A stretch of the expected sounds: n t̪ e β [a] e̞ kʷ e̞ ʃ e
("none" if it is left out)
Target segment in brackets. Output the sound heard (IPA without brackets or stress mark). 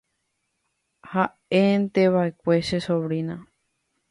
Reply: a